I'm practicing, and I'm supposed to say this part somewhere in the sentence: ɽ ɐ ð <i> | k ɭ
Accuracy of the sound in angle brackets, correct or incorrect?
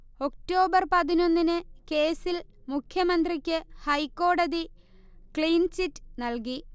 correct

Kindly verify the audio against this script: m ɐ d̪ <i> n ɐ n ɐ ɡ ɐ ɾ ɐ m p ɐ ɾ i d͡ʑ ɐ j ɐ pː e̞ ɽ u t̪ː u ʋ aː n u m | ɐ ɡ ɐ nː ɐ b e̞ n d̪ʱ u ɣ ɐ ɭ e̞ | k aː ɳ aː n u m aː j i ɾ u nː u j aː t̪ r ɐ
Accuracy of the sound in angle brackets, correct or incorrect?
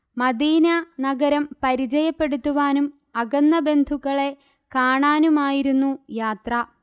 incorrect: iː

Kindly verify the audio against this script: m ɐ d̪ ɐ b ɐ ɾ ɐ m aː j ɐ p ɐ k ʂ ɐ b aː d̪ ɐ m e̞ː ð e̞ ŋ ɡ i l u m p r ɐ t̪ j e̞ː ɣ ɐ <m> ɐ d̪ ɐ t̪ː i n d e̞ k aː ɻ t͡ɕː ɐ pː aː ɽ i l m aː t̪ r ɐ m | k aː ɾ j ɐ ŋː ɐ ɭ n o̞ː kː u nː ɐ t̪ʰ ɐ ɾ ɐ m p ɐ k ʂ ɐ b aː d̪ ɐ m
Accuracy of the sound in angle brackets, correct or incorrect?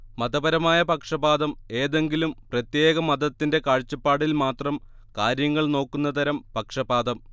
correct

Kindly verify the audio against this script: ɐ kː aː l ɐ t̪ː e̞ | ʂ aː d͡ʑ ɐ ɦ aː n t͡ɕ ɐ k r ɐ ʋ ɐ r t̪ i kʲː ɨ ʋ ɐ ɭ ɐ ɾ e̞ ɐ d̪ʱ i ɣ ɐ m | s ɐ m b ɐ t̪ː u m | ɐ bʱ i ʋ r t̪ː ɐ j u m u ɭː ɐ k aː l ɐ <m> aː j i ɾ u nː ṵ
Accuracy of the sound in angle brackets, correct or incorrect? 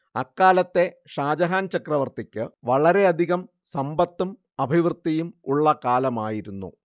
correct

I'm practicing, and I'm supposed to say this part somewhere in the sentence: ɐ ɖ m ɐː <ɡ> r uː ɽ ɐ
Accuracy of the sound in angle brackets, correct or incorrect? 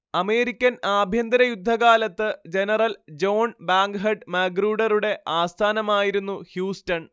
correct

